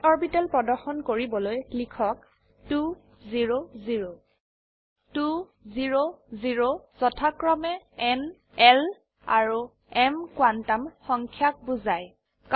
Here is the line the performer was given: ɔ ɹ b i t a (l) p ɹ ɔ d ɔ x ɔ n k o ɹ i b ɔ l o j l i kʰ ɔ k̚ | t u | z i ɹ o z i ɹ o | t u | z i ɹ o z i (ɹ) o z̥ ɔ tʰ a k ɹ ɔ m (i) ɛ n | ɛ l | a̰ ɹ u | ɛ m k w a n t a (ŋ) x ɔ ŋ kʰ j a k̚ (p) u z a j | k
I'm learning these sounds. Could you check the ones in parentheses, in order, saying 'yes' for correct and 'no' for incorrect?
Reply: yes, yes, no, no, no

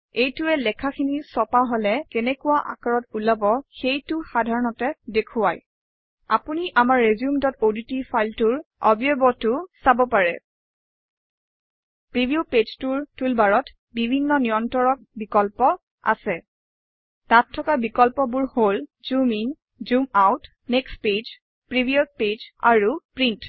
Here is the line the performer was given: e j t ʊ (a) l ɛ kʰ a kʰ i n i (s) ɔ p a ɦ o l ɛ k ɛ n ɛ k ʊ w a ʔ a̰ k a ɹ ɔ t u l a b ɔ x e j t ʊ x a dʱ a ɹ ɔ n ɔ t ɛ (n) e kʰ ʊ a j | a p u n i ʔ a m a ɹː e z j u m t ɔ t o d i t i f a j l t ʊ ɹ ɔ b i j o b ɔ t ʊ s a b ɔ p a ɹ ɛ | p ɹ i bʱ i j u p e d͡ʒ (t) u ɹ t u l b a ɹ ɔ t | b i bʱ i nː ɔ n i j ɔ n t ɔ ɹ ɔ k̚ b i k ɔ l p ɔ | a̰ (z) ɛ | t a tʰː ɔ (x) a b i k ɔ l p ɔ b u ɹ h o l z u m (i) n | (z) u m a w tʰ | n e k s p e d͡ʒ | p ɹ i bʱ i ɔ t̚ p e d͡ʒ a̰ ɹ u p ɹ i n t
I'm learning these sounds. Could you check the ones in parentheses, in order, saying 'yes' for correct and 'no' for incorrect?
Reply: no, yes, no, yes, no, no, yes, yes

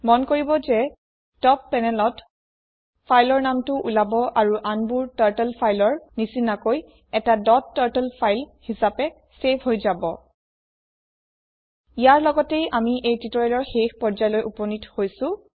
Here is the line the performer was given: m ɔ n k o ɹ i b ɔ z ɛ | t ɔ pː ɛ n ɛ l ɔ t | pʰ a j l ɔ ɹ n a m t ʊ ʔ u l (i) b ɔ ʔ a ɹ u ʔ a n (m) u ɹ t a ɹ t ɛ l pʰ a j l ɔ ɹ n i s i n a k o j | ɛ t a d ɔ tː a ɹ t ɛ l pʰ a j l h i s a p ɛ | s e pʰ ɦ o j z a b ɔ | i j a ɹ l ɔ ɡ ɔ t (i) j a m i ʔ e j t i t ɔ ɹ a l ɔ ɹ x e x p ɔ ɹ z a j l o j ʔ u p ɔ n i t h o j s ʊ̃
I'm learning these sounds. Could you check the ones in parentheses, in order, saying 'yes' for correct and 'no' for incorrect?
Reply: no, no, no

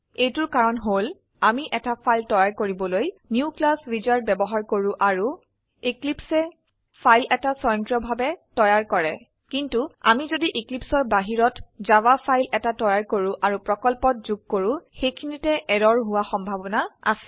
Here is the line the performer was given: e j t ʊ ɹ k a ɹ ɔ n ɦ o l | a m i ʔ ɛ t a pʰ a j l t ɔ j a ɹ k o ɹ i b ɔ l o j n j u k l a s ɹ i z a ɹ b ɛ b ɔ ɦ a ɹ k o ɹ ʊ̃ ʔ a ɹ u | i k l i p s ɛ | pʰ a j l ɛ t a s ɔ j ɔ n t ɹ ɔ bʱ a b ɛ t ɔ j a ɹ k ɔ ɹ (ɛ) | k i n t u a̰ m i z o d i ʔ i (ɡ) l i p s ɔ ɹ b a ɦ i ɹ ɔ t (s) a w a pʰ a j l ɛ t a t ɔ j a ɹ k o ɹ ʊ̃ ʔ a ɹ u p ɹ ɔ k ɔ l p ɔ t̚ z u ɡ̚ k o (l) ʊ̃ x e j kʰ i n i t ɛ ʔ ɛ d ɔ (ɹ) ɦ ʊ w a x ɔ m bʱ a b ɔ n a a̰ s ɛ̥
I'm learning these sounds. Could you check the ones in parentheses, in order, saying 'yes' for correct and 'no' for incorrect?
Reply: yes, no, no, no, yes

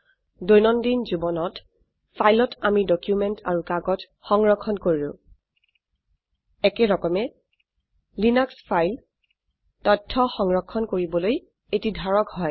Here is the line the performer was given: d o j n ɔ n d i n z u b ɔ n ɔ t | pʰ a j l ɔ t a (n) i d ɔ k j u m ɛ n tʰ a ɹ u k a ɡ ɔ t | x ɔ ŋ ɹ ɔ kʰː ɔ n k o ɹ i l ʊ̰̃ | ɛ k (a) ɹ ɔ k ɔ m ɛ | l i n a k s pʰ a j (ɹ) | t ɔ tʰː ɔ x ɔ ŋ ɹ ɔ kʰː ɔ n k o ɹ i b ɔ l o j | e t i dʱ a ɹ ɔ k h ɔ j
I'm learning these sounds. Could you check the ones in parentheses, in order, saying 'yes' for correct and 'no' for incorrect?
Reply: no, no, no

